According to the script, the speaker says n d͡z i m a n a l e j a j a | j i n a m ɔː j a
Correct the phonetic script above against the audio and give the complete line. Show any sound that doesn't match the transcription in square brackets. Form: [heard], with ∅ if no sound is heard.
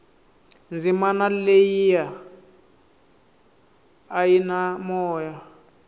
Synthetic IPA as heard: n d͡z i m a n a l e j [i] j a | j i n a m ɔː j a